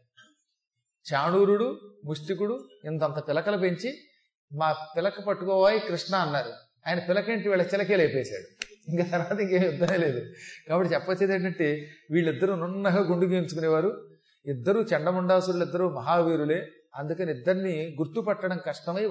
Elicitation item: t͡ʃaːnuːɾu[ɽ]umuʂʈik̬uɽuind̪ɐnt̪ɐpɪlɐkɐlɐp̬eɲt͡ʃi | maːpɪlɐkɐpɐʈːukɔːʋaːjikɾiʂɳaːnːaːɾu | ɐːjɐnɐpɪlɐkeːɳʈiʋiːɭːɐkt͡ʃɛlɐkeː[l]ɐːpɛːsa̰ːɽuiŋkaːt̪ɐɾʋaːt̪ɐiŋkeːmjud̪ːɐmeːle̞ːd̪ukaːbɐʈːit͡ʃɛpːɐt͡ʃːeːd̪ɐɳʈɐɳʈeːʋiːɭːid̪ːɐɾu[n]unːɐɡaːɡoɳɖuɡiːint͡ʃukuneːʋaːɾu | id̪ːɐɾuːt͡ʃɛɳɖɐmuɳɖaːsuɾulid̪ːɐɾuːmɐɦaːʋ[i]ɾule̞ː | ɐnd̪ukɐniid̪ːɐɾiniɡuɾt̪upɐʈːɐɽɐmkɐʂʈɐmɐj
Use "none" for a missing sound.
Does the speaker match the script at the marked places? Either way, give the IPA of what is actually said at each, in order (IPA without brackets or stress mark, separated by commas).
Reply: ɽ, l, n, iː